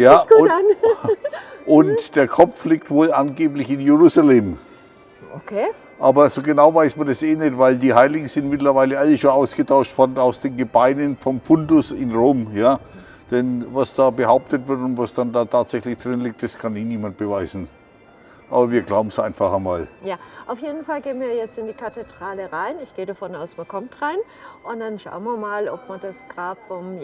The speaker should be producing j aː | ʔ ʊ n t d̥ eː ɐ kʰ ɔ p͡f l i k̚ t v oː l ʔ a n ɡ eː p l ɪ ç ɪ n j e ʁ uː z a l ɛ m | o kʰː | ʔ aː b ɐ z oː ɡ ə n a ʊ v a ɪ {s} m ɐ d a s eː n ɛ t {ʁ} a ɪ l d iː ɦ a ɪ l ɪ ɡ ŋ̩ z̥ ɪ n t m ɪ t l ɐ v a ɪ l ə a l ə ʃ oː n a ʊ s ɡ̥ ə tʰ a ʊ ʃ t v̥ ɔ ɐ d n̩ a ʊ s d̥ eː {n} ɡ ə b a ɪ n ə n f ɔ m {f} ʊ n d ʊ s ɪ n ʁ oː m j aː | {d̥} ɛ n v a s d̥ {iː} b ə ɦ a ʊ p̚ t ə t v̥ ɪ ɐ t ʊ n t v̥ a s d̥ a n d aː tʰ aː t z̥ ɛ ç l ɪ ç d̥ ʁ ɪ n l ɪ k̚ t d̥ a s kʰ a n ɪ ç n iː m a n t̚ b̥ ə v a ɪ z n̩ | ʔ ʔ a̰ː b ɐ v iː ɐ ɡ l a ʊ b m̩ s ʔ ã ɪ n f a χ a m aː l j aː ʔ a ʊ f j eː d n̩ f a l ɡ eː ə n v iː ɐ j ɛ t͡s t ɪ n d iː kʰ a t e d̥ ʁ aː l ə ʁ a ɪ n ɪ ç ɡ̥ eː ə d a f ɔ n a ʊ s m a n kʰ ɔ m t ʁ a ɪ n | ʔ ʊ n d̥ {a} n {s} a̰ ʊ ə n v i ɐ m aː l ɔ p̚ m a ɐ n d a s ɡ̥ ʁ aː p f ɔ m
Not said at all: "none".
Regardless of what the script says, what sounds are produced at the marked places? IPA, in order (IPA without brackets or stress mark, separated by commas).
s, v, n, f, d̥, aː, a, ʃ